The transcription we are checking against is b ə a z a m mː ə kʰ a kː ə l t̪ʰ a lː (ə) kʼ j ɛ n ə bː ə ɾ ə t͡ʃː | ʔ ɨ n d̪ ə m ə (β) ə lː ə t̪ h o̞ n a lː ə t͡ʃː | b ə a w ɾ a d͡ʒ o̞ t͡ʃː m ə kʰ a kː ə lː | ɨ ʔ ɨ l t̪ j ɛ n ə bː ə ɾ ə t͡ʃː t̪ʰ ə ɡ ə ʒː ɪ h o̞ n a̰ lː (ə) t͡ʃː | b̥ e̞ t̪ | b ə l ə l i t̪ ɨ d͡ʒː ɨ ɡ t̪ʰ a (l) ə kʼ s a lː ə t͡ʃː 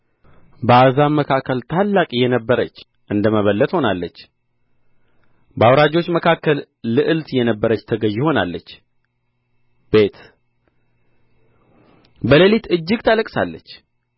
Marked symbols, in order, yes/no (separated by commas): no, yes, yes, yes